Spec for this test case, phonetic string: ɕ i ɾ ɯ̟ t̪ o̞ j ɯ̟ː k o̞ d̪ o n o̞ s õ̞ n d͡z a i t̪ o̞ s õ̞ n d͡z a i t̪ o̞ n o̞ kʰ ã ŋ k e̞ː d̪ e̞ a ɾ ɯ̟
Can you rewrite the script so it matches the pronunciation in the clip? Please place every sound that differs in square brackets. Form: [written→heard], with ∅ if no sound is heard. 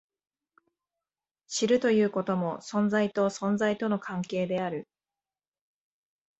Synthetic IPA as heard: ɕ i ɾ ɯ̟ t̪ o̞ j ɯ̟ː k o̞ [d̪→t̪] o [n→m] o̞ s õ̞ n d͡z a i t̪ o̞ s õ̞ n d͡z a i t̪ o̞ n o̞ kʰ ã ŋ k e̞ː d̪ e̞ a ɾ ɯ̟